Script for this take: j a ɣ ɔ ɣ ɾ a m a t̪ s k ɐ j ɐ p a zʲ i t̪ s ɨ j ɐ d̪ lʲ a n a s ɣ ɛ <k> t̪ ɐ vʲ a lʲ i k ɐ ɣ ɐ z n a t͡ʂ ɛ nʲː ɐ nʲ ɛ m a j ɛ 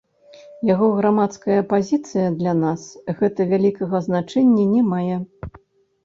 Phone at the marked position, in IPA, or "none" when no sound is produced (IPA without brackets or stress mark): none